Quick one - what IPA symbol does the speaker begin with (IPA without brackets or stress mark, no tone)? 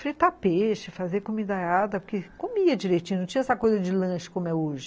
f